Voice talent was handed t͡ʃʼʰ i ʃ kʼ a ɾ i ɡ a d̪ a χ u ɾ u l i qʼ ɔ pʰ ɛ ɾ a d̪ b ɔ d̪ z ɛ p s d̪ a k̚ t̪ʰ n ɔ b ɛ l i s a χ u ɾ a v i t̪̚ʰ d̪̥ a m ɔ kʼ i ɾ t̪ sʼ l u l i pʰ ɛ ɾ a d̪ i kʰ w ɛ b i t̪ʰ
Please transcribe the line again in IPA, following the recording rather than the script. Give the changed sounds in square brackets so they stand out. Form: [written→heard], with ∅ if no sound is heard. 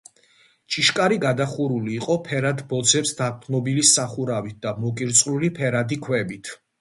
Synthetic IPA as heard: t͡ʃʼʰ i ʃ kʼ a ɾ i ɡ a d̪ a χ u ɾ u l [i→iː] qʼ ɔ pʰ ɛ ɾ a d̪ b ɔ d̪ z ɛ p s d̪ a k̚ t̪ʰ n ɔ b [ɛ→i] l i s a χ u ɾ a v i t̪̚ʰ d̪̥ a m ɔ kʼ i ɾ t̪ sʼ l u l i pʰ ɛ ɾ a d̪ i kʰ w ɛ b i t̪ʰ